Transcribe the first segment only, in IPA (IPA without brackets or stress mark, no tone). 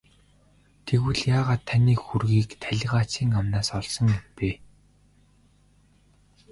t̪ʰ